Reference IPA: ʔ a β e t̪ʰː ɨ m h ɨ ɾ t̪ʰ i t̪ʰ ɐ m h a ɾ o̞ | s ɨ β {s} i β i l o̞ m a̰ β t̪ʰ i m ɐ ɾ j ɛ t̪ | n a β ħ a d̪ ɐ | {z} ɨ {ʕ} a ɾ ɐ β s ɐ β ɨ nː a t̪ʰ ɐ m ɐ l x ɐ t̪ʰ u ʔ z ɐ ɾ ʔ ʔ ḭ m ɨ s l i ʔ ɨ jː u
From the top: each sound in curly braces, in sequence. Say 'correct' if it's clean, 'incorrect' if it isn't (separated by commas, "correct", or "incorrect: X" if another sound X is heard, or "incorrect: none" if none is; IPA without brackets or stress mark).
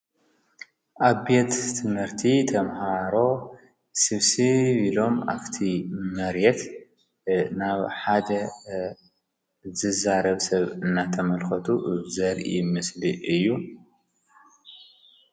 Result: correct, correct, incorrect: z